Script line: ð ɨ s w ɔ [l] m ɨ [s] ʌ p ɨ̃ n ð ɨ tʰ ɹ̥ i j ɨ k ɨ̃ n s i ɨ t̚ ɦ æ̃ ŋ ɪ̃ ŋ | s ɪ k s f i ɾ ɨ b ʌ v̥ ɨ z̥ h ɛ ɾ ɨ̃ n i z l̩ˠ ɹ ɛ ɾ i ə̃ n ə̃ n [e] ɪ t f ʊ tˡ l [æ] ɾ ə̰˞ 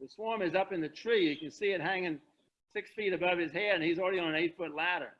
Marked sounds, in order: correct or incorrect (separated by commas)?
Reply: incorrect, incorrect, correct, correct